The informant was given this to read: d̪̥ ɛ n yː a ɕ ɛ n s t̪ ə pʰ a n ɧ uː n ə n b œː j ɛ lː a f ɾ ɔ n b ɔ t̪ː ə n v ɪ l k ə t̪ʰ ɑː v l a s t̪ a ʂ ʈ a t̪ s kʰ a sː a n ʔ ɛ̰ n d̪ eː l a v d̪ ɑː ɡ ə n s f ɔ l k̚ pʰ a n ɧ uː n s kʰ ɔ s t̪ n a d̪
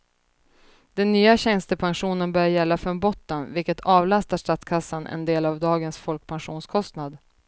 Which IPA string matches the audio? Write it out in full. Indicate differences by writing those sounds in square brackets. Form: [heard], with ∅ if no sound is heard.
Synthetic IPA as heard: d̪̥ ɛ [nː] yː a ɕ ɛ n s t̪ ə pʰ a n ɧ uː n ə n b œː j ɛ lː a f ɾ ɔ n b ɔ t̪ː ə n v ɪ l k ə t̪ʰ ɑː v l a s t̪ a ʂ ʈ a t̪ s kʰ a sː a n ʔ ɛ̰ n d̪ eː l a v d̪ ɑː ɡ ə n s f ɔ l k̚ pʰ a n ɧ uː n s kʰ ɔ s t̪ n a d̪